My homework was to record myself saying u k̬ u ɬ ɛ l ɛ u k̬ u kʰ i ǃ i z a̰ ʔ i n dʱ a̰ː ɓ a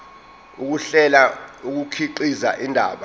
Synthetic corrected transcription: u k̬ u ɬ ɛ l a u k̬ u kʰ i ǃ i z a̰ ʔ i n dʱ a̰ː ɓ a